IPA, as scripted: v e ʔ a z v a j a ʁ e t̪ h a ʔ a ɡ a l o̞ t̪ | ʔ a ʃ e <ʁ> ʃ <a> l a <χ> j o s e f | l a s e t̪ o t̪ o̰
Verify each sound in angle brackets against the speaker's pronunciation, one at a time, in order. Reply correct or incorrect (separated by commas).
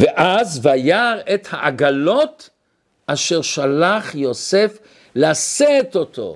correct, correct, correct